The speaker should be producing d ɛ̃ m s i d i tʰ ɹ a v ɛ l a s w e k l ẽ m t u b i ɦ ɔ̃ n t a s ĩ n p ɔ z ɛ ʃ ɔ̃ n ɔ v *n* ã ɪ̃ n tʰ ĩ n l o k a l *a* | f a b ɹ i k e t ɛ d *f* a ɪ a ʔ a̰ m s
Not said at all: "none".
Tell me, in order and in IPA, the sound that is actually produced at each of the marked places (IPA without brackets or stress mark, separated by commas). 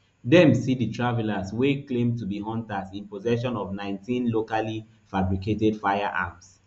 n, i, f